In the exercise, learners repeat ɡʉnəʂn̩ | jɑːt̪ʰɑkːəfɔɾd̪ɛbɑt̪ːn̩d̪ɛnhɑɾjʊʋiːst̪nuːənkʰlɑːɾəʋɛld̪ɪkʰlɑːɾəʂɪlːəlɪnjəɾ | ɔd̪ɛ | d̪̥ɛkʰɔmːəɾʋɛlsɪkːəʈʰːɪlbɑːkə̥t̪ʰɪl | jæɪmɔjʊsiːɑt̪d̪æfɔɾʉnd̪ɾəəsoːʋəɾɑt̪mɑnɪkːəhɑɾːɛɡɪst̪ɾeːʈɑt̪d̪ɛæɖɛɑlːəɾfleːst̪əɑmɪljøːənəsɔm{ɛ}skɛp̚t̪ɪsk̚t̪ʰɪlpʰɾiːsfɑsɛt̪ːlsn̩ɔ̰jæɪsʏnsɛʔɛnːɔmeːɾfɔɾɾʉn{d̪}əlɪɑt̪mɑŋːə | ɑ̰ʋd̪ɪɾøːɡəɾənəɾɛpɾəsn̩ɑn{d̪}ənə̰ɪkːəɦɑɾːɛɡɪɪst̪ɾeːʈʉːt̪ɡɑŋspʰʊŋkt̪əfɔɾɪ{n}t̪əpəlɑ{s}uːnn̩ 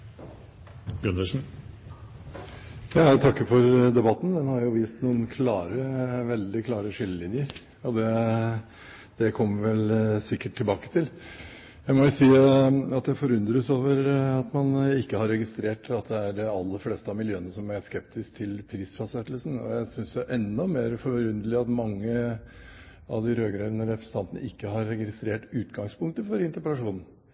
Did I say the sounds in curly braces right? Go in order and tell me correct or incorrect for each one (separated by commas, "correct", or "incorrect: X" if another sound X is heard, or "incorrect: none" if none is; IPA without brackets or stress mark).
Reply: incorrect: æ, correct, incorrect: t̪, correct, incorrect: ʂ